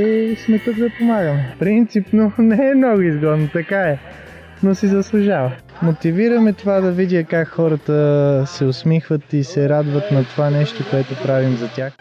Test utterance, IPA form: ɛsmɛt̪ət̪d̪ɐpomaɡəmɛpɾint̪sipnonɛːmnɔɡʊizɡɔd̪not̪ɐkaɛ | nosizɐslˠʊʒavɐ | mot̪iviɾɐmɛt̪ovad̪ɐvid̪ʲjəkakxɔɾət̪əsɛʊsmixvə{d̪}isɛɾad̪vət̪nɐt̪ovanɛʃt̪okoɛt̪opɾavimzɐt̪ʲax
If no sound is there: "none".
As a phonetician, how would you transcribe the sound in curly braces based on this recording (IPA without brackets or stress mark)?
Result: t̪